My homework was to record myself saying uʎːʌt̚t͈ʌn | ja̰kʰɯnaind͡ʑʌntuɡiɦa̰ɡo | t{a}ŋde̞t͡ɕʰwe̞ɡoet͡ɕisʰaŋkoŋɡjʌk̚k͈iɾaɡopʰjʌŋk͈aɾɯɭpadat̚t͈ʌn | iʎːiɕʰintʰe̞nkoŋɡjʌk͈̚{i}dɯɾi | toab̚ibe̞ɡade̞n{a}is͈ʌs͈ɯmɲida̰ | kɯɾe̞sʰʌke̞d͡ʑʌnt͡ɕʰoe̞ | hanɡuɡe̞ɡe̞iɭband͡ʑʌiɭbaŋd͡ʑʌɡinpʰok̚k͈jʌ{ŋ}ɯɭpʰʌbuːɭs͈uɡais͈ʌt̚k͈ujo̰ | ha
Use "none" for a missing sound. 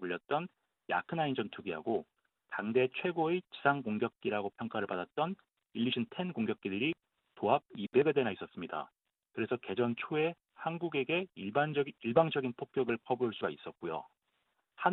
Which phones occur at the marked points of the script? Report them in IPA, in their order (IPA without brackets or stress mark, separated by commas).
a, i, a, ɡ